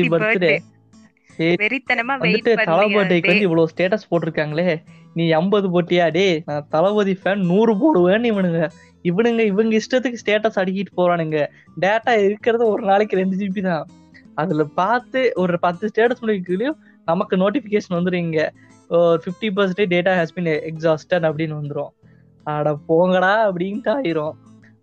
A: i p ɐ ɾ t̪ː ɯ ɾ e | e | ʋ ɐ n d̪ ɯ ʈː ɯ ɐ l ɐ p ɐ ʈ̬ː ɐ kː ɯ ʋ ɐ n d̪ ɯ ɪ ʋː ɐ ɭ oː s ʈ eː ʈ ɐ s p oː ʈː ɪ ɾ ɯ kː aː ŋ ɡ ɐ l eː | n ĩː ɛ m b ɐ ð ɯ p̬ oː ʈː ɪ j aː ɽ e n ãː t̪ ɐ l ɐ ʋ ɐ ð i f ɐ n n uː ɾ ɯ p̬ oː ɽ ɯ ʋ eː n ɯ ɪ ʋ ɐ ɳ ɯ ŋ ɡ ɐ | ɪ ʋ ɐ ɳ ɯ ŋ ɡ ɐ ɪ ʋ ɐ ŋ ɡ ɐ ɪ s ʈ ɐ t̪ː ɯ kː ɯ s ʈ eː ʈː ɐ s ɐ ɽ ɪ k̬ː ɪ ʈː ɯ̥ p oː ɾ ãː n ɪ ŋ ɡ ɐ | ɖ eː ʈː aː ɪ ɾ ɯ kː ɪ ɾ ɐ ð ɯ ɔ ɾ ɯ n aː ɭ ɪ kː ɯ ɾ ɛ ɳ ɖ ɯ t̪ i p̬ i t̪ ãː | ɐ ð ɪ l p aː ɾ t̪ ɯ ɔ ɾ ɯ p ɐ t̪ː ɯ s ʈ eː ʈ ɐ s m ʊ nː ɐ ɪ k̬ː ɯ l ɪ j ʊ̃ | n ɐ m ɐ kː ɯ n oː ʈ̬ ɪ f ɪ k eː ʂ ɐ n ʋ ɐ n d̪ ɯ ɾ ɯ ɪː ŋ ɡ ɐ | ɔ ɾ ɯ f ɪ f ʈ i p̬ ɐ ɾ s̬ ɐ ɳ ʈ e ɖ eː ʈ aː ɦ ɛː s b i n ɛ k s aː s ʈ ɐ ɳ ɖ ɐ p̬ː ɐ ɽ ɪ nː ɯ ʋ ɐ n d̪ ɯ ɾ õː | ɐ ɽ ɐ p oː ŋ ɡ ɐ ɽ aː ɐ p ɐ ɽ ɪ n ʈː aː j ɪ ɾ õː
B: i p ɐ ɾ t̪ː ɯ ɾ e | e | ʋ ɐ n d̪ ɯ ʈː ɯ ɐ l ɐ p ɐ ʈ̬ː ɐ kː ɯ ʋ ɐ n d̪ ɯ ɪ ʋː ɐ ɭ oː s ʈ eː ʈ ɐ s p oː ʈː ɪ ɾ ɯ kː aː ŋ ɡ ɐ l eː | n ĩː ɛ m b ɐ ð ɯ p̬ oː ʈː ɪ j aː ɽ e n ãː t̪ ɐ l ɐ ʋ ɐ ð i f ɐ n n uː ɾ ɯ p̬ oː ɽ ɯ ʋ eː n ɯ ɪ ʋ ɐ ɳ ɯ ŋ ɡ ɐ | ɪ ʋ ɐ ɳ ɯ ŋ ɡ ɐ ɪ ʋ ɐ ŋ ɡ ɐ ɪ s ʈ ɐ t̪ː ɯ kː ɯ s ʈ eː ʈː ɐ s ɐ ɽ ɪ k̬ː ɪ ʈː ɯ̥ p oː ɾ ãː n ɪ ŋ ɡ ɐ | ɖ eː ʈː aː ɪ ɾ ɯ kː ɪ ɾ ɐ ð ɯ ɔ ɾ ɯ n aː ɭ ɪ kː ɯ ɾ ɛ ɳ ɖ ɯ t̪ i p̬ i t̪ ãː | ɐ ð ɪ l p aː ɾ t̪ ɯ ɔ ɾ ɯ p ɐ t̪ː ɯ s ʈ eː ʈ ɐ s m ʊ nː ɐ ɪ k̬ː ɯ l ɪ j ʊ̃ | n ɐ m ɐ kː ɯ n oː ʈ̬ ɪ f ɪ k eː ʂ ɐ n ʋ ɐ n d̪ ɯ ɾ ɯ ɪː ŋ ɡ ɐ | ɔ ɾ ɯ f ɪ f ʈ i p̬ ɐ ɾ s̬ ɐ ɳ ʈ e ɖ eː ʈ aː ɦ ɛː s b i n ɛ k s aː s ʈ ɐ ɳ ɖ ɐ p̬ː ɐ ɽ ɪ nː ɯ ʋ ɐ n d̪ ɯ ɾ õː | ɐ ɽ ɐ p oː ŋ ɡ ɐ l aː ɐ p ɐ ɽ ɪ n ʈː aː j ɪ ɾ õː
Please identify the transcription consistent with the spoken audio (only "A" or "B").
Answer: A